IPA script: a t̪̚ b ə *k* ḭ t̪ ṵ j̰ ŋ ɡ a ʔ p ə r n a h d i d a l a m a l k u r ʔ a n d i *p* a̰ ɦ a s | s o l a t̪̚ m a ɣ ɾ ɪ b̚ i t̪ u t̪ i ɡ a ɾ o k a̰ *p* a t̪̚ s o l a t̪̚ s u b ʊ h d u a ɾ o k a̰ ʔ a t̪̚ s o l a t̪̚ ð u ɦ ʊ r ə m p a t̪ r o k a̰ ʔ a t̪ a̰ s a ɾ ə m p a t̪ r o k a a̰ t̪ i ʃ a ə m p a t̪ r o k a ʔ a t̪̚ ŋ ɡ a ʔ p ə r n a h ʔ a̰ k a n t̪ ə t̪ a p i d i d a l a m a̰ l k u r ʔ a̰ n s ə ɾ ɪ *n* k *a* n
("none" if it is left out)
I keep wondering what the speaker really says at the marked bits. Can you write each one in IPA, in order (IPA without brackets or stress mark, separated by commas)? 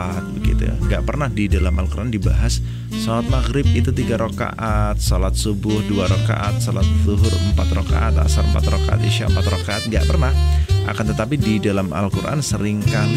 ɡ, b, ʔ, ŋ, a